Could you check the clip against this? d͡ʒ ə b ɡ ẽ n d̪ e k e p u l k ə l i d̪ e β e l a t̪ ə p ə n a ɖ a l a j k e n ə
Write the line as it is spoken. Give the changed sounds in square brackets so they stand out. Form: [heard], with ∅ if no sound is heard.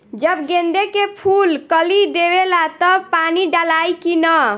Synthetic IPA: d͡ʒ ə b ɡ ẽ n d̪ e k e [pʰ] u l k ə l i d̪ e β e l a t̪ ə p [a] n [i] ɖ a l a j k [i] n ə